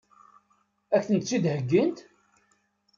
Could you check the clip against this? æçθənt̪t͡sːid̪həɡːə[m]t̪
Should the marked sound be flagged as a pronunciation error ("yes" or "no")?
yes